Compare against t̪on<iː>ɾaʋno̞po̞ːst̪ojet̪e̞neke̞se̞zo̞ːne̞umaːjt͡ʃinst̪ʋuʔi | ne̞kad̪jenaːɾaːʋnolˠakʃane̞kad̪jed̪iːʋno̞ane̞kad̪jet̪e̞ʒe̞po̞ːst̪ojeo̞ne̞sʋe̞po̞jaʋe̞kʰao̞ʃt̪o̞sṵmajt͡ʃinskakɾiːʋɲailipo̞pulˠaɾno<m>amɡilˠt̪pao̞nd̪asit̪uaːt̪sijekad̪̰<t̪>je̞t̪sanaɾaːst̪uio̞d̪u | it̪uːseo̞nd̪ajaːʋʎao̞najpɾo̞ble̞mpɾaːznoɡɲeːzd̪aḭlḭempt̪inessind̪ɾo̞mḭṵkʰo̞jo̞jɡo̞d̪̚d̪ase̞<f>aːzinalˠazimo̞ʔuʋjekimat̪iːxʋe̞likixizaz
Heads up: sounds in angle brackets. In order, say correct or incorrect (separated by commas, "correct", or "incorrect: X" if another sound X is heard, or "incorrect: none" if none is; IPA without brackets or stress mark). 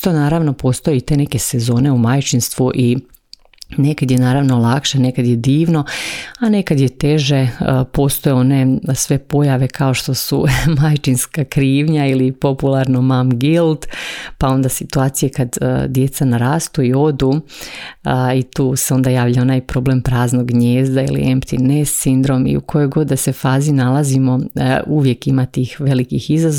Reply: incorrect: aː, correct, incorrect: d̪, correct